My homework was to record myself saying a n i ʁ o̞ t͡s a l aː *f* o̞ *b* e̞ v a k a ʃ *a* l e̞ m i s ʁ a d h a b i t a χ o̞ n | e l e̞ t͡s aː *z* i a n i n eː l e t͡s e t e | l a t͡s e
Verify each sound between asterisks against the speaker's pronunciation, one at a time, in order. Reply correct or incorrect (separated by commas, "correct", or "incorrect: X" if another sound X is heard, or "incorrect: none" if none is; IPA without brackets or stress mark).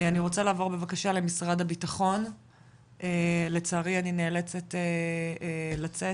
incorrect: v, correct, correct, incorrect: ʁ